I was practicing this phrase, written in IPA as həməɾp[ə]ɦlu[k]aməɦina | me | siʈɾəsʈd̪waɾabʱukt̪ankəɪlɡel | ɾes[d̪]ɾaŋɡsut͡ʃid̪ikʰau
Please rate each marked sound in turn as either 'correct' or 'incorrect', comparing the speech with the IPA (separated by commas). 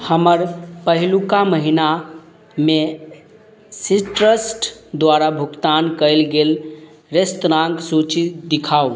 correct, correct, incorrect